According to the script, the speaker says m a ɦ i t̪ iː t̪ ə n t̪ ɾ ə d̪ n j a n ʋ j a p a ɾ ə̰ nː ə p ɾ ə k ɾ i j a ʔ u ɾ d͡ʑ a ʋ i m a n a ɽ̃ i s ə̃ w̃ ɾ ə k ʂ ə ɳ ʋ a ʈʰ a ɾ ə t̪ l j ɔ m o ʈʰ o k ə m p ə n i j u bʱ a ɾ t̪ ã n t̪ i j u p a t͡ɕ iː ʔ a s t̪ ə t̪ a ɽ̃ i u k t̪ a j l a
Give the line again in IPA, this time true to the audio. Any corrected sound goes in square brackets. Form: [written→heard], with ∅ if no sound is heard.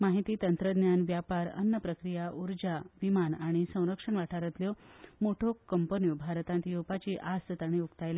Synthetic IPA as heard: m a ɦ i t̪ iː t̪ ə n t̪ ɾ ə d̪ n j a n ʋ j a p a ɾ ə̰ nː ə p ɾ ə k ɾ i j a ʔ u ɾ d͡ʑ a ʋ i m a n a ɽ̃ i s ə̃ w̃ ɾ ə k ʂ ə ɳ ʋ a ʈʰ a ɾ ə t̪ l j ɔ m o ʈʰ o k ə m p ə n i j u bʱ a ɾ t̪ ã n t̪ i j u p a t͡ɕ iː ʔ a s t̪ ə t̪ a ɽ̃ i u k t̪ a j l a